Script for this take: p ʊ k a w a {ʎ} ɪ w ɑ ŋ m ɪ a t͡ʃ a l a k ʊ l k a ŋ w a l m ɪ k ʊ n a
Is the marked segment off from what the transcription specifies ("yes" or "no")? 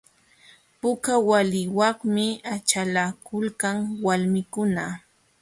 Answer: yes